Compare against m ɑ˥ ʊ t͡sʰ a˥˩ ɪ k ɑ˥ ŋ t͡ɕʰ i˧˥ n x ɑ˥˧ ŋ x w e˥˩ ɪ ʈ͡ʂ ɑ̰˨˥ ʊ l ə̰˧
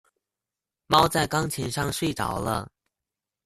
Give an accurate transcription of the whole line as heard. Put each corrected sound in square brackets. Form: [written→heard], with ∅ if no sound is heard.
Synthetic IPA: m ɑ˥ ʊ [t͡sʰ→t͡s] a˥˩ ɪ k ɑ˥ ŋ t͡ɕʰ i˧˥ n [x→ʂ] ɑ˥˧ ŋ [x→ʂ] w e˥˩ ɪ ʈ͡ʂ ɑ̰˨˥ ʊ l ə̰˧